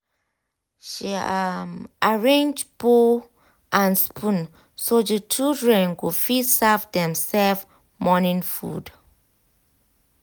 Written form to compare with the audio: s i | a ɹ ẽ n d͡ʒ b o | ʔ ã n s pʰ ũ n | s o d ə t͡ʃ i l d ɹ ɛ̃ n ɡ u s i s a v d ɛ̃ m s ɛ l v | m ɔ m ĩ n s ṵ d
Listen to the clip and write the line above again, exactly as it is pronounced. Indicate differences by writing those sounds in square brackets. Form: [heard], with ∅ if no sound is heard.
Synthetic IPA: [ʃ] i | a ɹ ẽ n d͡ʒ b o | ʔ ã n s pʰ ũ n | s o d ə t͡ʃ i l d ɹ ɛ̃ n ɡ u [f] i s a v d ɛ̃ m s ɛ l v | m ɔ [n] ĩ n [f] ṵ d